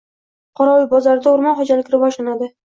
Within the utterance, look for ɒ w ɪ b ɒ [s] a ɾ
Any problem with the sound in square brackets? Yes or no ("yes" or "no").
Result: yes